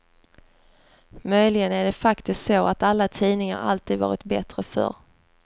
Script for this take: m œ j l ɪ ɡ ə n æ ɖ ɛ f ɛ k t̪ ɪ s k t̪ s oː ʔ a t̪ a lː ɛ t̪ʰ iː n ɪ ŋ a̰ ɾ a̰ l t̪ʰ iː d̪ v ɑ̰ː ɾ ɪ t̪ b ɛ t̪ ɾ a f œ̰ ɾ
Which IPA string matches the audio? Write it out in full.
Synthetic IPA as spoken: m œ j l ɪ ɡ ə n æ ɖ ɛ f a k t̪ ɪ s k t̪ s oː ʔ a t̪ a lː a t̪ʰ iː n ɪ ŋ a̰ ɾ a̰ l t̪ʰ iː d̪ v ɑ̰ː ɾ ɪ t̪ b ɛ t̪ ɾ ə f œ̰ ɾ